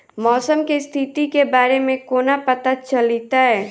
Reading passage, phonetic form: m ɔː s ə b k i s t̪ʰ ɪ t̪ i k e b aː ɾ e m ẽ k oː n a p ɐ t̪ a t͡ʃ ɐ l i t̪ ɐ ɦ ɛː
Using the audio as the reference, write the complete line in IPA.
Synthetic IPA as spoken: m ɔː s ə m k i s t̪ʰ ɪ t̪ i k e b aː ɾ e m ẽ k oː n a p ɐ t̪ a t͡ʃ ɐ l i t̪ a ɦ ɛː